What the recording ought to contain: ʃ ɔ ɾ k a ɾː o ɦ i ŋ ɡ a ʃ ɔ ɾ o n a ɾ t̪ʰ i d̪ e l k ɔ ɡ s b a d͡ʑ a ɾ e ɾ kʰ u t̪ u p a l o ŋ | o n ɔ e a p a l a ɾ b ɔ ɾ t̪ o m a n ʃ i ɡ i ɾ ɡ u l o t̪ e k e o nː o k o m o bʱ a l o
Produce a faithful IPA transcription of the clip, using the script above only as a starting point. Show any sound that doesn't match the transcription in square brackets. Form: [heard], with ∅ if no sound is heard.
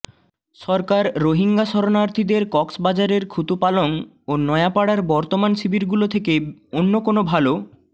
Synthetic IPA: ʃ ɔ ɾ k a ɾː o ɦ i ŋ ɡ a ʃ ɔ ɾ o n a ɾ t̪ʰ i d̪ e [ɾ] k ɔ [k] s b a d͡ʑ a ɾ e ɾ kʰ u t̪ u p a l o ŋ | o n ɔ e a p a [ɽ] a ɾ b ɔ ɾ t̪ o m a n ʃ i [b] i ɾ ɡ u l o [t̪ʰ] e k e o nː o k o [n] o bʱ a l o